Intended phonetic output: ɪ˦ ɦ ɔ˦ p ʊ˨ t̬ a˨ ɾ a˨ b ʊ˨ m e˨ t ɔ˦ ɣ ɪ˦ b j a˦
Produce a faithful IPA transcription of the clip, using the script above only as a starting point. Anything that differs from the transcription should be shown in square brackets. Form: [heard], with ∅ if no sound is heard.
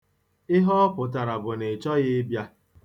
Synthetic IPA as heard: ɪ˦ ɦ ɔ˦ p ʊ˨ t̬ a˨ ɾ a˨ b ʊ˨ [n] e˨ [t͡ʃ] ɔ˦ ɣ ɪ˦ b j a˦